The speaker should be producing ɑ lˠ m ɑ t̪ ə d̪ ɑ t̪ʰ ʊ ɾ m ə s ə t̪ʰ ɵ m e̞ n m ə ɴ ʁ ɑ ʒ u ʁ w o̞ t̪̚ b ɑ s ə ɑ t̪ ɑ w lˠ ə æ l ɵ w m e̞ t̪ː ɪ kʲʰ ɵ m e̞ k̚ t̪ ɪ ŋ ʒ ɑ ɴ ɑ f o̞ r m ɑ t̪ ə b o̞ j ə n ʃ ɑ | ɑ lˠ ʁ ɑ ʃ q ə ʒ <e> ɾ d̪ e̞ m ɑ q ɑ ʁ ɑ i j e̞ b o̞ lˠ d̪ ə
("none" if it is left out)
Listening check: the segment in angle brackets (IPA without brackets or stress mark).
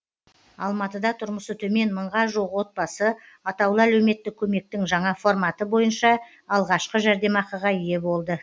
æ